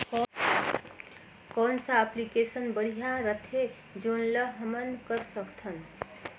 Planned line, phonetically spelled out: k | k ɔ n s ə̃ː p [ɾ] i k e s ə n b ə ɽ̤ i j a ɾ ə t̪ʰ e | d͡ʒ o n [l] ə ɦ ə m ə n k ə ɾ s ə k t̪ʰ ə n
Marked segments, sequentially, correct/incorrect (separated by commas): incorrect, correct